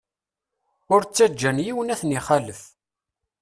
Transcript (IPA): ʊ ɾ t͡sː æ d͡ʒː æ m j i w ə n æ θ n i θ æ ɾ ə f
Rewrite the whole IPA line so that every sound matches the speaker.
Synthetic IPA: ʊ ɾ t͡sː æ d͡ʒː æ n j i w ə n æ θ n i χ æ l ə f